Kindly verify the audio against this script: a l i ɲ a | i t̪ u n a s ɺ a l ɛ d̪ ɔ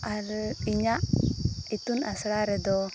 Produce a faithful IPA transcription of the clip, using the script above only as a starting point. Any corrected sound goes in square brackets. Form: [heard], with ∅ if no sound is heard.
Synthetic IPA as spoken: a [ɾ] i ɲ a | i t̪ u n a s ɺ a [ɾ] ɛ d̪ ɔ